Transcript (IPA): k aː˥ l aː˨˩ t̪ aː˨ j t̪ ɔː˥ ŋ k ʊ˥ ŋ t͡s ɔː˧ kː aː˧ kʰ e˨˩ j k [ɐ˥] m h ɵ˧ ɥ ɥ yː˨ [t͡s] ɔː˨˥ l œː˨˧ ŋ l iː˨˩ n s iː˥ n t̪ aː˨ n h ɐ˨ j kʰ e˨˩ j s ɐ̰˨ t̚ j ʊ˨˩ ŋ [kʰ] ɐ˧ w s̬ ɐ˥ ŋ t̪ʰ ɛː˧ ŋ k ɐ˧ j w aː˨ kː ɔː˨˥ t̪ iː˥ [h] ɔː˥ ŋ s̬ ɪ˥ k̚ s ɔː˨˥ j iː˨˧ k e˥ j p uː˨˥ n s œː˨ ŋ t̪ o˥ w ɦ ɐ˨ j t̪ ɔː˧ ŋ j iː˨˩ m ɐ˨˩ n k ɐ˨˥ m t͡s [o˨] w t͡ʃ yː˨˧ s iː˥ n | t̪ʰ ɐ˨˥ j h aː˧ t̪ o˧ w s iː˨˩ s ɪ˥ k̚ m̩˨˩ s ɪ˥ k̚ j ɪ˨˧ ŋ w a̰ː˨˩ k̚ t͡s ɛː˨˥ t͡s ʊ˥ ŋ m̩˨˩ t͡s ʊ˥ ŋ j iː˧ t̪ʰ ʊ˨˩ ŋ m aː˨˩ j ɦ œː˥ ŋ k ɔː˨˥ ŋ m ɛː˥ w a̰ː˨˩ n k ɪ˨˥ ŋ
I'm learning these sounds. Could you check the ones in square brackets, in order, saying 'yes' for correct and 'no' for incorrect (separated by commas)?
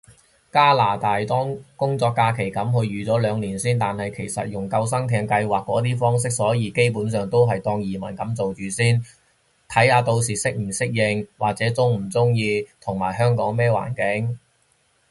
no, yes, no, no, yes